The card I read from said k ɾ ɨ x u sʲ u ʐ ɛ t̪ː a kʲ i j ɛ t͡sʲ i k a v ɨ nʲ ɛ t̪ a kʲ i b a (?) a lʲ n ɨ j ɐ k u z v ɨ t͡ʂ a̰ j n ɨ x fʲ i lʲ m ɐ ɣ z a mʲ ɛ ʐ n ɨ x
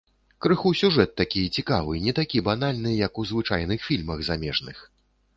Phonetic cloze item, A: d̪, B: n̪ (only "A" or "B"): B